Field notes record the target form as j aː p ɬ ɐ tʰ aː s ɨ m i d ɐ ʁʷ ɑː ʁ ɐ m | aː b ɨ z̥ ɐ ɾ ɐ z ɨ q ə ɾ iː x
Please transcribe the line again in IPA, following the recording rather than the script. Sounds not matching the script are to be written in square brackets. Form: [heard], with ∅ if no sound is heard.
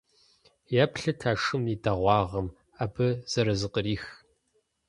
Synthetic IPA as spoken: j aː p ɬ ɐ tʰ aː [ʂ] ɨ m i d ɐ ʁʷ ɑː ʁ ɐ m | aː b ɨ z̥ ɐ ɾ ɐ z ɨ q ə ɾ iː x